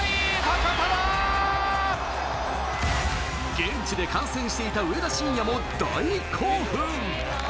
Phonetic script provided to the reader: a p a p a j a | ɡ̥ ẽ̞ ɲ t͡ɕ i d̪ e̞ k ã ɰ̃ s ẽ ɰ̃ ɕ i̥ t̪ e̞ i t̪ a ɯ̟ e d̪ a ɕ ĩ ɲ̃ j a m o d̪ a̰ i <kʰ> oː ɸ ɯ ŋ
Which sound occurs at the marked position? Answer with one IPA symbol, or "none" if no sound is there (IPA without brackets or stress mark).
kʰ